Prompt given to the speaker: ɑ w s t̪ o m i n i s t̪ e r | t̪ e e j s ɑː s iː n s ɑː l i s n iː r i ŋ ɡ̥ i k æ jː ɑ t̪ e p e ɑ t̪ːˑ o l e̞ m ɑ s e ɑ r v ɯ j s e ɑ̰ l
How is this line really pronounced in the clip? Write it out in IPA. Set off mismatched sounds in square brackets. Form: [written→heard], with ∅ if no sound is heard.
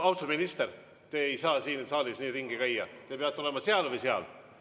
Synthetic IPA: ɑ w s t̪ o m i n i s t̪ e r | t̪ e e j s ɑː s iː n s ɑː l i s n iː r i ŋ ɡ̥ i k æ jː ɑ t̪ e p e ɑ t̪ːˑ o l e̞ m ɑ s e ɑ [r→l] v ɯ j s e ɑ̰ l